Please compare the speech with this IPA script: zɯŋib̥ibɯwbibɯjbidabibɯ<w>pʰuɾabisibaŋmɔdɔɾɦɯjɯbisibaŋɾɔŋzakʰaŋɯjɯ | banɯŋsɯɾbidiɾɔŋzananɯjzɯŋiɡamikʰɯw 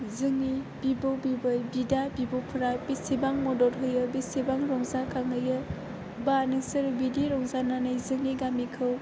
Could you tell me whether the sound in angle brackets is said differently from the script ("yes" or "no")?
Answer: no